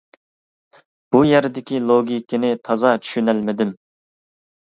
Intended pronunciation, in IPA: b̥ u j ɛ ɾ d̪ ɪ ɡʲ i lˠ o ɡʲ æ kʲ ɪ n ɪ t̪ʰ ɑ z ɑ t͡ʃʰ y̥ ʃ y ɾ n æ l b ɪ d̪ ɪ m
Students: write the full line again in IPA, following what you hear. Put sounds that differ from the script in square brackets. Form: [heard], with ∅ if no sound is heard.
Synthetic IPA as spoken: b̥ u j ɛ ɾ d̪ ɪ [kʲ] i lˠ o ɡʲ [i] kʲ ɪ n ɪ t̪ʰ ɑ z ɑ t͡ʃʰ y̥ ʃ y [∅] n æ l [m] ɪ d̪ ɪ m